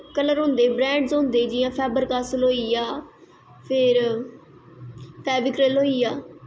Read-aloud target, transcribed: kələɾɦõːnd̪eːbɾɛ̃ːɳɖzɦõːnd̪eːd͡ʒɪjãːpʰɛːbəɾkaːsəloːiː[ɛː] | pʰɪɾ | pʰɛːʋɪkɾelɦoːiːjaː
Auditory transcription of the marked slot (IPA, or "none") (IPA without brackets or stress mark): aː